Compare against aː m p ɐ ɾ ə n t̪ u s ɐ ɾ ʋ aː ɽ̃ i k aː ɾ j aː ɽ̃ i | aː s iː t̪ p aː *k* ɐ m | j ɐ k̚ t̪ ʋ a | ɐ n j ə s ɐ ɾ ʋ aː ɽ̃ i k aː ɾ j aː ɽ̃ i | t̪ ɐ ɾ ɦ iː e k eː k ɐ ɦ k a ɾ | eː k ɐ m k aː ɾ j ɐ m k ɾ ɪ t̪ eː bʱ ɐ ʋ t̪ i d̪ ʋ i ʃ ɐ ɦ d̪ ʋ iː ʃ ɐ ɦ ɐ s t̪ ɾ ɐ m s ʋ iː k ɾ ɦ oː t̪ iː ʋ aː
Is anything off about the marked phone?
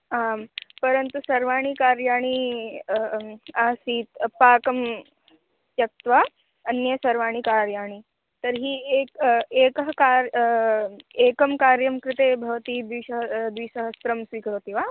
no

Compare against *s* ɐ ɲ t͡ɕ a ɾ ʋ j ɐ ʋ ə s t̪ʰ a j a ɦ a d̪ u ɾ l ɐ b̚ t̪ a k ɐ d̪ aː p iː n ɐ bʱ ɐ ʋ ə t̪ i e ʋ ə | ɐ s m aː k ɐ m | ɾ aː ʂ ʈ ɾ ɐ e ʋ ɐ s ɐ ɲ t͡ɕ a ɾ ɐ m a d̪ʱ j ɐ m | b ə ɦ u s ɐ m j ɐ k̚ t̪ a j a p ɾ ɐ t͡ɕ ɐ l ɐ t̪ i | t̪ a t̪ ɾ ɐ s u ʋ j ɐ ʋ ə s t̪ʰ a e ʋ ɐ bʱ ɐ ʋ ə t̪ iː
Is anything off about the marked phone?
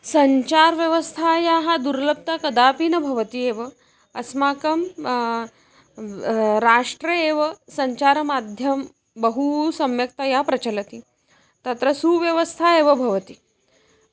no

